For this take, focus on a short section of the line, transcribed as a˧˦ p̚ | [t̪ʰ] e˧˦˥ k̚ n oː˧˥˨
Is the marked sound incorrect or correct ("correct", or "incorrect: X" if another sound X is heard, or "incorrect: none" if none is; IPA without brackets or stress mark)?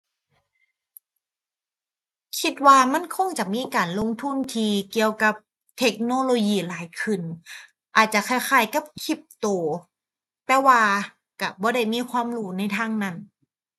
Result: correct